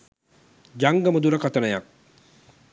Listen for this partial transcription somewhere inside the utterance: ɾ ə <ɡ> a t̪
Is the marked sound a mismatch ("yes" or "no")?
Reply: yes